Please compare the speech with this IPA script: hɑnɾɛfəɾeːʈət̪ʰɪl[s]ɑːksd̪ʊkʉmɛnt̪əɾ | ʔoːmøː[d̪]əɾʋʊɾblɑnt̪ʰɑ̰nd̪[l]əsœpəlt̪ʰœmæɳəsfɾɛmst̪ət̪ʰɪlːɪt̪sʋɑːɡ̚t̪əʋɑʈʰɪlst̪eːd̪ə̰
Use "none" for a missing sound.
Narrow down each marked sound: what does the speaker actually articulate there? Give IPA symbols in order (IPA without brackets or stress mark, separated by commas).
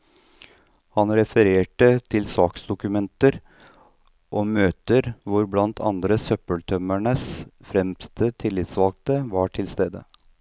s, t̪, ɾ